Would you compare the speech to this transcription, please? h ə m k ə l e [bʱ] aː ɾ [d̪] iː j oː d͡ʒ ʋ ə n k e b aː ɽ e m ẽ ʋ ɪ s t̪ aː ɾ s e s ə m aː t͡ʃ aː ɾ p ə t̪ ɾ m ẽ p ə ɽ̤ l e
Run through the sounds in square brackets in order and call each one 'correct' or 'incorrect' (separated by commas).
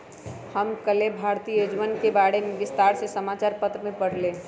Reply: correct, incorrect